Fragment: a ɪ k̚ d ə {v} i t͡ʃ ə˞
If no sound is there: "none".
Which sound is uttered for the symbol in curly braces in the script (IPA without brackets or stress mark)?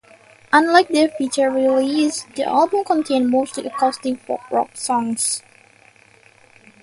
f